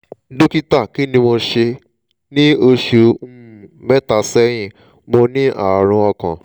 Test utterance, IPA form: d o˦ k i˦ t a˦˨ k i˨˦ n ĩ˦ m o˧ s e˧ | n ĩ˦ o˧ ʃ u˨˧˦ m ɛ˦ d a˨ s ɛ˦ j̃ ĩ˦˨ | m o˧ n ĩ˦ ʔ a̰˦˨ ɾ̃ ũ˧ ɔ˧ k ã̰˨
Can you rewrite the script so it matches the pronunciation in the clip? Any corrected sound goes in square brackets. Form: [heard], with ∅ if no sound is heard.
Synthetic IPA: d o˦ k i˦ t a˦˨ k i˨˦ n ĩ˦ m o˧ [ʃ] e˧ | n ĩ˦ o˧ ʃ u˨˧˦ m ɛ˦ [t] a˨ s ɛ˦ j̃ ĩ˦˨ | m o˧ n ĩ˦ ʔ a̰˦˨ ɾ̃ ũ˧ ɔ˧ k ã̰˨